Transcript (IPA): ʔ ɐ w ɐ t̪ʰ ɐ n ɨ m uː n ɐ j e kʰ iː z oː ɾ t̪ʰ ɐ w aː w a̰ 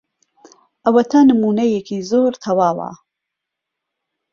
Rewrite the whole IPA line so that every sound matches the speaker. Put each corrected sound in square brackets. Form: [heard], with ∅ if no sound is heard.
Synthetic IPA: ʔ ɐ w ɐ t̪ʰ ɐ n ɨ m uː n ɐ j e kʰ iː z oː ɾ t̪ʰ ɐ w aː w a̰